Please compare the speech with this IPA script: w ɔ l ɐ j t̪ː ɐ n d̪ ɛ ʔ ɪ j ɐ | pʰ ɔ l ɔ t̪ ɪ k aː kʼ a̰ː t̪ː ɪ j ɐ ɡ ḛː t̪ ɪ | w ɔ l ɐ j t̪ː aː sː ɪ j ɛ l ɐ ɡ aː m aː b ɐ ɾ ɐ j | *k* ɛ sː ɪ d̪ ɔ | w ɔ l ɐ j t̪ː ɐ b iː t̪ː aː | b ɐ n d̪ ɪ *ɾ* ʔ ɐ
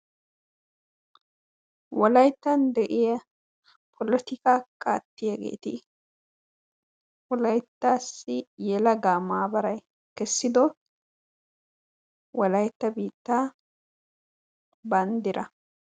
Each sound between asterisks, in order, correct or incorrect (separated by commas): correct, correct